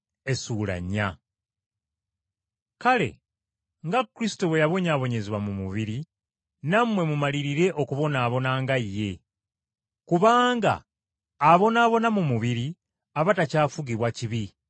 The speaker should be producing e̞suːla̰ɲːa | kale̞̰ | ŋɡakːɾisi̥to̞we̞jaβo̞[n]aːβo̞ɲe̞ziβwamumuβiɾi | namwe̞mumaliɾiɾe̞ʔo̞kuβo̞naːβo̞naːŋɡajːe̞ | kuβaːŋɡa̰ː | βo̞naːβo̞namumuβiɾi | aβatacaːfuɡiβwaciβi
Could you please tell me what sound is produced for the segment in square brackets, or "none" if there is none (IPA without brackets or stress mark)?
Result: ɲ